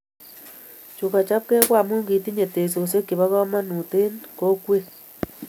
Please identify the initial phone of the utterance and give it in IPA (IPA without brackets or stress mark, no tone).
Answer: t͡ʃ